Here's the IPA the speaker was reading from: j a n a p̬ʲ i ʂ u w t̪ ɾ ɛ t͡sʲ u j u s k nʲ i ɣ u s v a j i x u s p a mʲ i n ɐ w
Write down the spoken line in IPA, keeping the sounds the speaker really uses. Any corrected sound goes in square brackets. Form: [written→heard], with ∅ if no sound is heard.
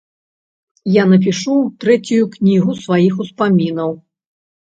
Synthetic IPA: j a n [a→ɐ] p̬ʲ i ʂ u w t̪ ɾ ɛ t͡sʲ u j u [s→∅] k nʲ i ɣ u s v a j i x u s p a mʲ i n ɐ w